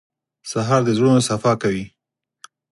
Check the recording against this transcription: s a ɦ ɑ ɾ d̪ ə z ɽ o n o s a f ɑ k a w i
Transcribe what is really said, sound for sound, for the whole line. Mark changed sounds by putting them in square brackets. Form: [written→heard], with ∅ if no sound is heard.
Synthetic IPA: s a ɦ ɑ ɾ d̪ ə z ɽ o n o s a f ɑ k a w i